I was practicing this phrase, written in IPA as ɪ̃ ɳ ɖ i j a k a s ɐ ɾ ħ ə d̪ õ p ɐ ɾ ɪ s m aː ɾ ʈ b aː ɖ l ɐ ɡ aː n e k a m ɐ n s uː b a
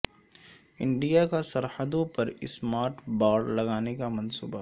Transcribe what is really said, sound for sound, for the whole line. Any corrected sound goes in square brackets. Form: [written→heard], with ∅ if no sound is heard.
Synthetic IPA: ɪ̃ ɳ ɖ i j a k a s ɐ ɾ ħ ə d̪ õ p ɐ ɾ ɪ s m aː ɾ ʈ b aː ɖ l ɐ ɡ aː n e k a m ɐ n s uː b a